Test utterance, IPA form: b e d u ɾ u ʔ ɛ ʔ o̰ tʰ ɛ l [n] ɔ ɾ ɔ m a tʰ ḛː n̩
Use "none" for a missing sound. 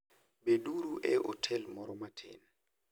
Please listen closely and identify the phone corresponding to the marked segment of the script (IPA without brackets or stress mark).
m